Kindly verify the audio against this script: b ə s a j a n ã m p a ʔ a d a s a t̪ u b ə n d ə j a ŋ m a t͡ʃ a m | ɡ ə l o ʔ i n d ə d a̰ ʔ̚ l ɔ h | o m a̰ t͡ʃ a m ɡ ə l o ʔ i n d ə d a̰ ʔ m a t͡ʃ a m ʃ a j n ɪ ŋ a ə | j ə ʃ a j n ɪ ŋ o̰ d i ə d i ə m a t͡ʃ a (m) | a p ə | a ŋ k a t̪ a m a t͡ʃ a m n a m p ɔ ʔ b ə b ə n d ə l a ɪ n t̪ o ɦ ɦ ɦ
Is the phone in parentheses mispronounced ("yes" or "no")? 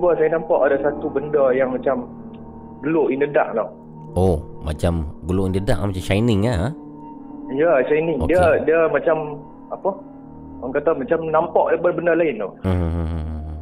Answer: no